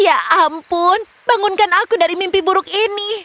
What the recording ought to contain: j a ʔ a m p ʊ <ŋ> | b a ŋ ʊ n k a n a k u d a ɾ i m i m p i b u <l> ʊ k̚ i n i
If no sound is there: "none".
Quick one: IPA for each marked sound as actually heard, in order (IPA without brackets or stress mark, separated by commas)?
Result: n, ɾ